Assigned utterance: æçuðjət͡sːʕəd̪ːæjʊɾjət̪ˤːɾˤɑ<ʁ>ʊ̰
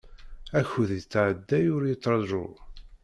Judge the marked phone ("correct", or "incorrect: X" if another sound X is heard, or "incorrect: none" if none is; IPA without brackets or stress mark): incorrect: ʒ